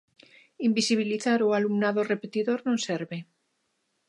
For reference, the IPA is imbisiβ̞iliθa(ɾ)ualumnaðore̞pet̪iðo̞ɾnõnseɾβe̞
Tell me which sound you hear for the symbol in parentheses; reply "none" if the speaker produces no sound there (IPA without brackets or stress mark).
ɾ